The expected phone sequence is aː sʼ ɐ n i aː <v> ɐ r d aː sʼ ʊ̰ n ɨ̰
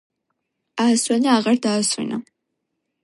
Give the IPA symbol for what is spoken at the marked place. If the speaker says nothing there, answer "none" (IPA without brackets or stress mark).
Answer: ʁ